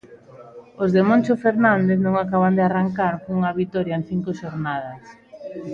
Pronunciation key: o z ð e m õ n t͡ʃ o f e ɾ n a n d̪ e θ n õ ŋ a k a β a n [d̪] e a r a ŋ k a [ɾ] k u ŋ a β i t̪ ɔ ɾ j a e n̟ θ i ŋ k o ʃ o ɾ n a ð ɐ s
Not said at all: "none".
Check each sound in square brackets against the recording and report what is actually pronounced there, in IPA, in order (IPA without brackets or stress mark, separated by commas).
d̪, ɾ